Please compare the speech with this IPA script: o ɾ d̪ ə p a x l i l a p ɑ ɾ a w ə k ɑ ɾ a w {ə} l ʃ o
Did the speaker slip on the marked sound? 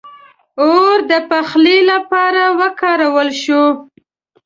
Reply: no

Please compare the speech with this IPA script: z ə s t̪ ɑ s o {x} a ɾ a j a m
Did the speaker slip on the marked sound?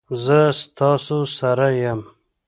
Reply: yes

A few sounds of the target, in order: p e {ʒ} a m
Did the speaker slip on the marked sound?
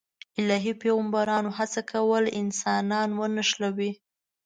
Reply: yes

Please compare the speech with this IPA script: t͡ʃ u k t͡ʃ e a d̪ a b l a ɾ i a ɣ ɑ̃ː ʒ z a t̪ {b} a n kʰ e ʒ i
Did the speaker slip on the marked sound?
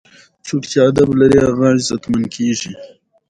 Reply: yes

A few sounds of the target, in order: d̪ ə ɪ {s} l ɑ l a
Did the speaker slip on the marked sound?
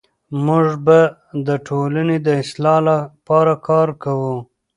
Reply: no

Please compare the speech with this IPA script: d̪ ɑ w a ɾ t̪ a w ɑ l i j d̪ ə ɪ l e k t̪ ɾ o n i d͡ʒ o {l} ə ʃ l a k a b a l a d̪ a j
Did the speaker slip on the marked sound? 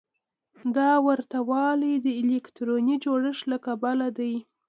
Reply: yes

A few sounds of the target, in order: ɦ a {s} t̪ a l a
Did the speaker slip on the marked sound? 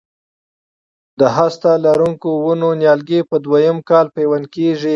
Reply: no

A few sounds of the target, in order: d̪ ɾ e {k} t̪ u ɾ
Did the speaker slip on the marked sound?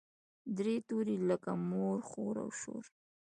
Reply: yes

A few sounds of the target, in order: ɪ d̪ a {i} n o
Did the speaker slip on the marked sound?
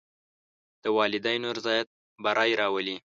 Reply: yes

